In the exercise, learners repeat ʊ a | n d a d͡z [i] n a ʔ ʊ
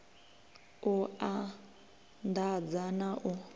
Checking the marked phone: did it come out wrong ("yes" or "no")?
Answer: yes